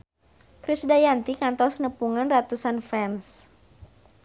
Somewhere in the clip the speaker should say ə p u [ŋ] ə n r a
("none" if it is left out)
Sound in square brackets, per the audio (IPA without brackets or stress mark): ŋ